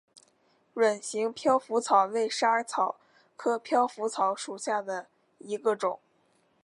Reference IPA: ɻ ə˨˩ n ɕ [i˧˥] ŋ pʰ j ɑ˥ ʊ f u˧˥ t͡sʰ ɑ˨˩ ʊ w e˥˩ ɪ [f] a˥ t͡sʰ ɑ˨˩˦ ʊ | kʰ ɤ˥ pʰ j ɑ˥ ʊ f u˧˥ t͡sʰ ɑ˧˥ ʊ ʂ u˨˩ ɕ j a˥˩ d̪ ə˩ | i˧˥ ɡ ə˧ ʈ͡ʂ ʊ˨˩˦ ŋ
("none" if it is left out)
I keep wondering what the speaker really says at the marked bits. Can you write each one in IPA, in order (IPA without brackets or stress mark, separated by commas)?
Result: i˧˥, ʂ